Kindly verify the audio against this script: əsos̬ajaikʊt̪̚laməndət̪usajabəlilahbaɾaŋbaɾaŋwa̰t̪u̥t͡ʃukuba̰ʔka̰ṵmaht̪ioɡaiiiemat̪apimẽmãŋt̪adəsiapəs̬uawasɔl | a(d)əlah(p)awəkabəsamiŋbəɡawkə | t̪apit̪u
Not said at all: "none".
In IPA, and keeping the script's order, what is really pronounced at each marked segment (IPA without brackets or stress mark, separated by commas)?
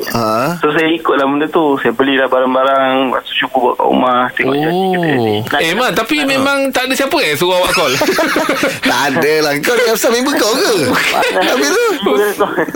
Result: d, k